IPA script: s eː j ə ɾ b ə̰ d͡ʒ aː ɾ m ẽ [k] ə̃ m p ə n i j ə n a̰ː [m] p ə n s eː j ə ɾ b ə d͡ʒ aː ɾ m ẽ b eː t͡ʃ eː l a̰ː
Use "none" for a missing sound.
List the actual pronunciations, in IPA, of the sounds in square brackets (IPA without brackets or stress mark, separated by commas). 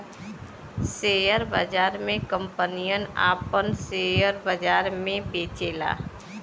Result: k, none